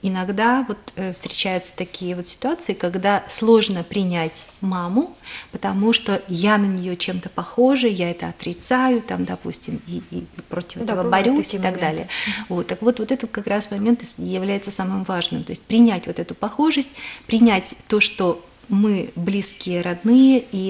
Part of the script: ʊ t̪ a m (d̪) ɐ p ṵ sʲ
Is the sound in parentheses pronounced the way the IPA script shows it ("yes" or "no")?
yes